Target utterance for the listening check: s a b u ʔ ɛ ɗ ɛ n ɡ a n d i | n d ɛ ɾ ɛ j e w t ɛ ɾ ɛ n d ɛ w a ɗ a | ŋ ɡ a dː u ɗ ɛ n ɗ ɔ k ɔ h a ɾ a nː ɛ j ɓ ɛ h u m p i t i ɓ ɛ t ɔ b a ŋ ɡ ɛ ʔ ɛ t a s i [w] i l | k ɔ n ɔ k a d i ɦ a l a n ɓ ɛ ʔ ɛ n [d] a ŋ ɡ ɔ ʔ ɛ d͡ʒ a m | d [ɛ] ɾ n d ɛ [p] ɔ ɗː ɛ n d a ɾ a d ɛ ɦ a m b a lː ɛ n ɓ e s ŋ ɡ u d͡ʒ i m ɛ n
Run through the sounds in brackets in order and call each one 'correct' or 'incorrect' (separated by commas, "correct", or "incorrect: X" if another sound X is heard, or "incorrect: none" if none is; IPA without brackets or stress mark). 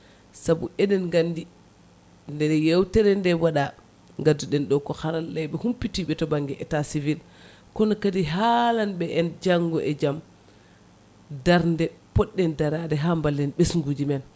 incorrect: v, incorrect: d͡ʒ, incorrect: a, correct